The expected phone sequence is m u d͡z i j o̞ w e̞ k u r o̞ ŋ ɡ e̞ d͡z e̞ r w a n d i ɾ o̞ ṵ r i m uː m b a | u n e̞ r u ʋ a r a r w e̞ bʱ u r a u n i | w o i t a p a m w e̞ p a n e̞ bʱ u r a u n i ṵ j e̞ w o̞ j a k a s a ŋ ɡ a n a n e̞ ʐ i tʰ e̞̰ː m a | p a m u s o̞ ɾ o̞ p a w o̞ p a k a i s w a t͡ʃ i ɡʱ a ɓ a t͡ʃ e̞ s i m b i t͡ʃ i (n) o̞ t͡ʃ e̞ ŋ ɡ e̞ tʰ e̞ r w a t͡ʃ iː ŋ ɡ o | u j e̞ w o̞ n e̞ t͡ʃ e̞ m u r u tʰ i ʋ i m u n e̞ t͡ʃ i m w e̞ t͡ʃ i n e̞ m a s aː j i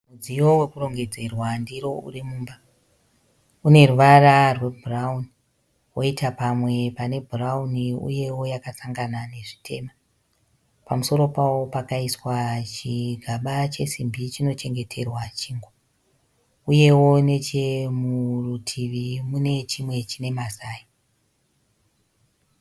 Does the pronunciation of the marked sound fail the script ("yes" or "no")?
no